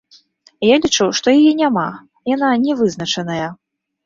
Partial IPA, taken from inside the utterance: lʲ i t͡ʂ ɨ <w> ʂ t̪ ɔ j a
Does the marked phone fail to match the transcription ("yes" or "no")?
no